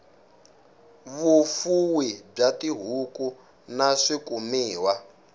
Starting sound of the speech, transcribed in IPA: β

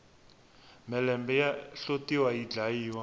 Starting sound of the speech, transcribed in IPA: m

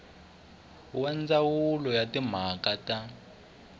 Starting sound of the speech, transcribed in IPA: w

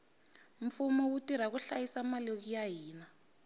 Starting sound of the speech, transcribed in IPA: ɱ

